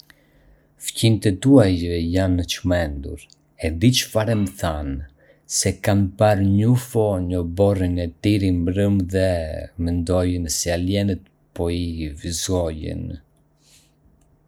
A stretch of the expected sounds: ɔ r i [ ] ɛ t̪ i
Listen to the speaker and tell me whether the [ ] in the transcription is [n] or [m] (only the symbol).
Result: n